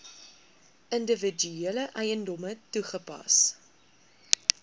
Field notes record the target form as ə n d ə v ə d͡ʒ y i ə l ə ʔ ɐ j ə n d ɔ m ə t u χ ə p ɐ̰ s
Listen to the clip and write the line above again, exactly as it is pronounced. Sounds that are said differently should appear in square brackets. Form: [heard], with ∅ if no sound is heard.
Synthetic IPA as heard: ə n d ə v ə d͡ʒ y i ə l ə ʔ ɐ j ə n d ɔ m ə t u χ ə p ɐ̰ s